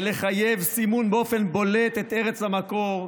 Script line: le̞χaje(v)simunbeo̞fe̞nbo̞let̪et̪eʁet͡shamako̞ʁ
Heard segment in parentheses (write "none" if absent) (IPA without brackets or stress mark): v